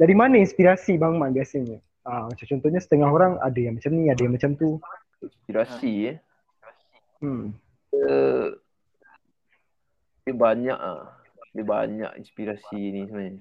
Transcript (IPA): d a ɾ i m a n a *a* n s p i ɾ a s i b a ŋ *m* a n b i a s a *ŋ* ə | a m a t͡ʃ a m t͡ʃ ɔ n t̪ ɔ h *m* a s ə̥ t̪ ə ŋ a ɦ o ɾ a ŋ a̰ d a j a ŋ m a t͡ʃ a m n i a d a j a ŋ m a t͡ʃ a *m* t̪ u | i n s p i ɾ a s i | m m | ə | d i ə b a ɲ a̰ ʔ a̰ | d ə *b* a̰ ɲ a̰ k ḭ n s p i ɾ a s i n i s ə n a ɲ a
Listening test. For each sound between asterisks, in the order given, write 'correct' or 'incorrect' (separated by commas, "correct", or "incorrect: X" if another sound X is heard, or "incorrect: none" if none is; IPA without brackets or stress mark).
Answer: incorrect: i, correct, incorrect: ɲ, incorrect: ɲ, correct, correct